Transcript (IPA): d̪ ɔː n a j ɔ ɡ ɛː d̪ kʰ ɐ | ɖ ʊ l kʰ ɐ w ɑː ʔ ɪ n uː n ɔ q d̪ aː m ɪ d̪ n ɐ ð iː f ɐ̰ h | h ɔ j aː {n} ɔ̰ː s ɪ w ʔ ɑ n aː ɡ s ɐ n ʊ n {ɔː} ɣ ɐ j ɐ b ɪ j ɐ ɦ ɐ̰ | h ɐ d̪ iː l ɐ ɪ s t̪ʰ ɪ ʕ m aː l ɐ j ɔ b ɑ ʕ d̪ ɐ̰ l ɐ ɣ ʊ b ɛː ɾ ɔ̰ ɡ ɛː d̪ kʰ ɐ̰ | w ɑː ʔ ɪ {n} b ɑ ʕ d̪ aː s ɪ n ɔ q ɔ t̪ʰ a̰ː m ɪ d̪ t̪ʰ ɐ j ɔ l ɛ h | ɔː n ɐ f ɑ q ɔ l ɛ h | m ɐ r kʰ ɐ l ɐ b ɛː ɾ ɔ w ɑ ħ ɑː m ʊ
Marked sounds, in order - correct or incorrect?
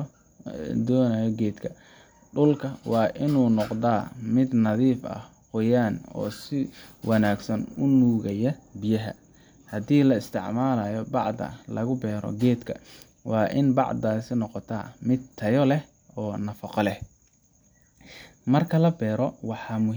correct, incorrect, correct

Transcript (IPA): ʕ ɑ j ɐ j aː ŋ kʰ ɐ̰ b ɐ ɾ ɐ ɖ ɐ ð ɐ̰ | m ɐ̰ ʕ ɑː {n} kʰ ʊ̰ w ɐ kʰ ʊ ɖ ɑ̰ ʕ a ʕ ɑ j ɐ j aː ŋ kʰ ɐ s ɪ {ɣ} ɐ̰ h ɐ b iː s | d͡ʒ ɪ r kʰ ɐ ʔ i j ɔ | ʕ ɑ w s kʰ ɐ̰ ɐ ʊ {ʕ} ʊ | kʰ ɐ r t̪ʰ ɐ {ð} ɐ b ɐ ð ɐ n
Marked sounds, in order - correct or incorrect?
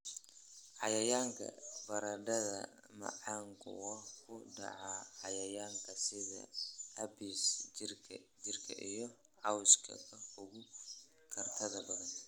incorrect, incorrect, incorrect, correct

